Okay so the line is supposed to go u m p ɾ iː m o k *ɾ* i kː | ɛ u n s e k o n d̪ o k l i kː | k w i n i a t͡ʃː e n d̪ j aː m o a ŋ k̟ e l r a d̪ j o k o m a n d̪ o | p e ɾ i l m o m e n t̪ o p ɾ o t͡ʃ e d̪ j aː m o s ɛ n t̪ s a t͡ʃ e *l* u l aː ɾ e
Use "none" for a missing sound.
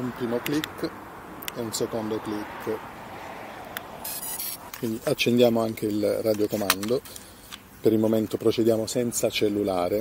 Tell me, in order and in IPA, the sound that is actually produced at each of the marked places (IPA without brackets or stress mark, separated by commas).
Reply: l, lː